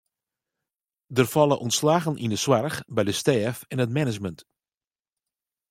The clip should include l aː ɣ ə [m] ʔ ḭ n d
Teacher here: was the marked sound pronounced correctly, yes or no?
no